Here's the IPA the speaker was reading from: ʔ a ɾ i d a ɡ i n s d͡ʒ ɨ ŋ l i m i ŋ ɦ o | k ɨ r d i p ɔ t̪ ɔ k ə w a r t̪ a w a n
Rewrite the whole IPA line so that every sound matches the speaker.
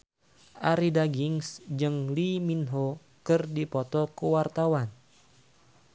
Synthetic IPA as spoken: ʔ a ɾ i d a ɡ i ŋ s d͡ʒ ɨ ŋ l i m i n ɦ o | k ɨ r d i p ɔ t̪ ɔ k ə w a r t̪ a w a n